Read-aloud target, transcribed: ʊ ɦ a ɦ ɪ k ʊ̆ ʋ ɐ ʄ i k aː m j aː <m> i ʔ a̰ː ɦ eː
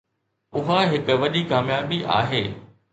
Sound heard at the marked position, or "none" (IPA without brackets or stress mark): b